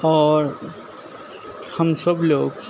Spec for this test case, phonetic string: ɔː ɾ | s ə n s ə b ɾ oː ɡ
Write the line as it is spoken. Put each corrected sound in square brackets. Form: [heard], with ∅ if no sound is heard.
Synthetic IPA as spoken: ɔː ɾ | [h] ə [m] s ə b [l] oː ɡ